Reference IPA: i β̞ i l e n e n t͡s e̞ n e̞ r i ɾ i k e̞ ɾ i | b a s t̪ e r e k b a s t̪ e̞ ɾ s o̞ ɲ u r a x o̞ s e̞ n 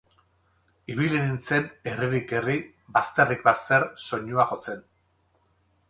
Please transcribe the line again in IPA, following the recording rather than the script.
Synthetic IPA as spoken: i β̞ i l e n i n t͡s e̞ n e̞ r i ɾ i k e̞ r i | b a s t̪ e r i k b a s t̪ e̞ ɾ s o̞ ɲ u a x o̞ t͡s e̞ n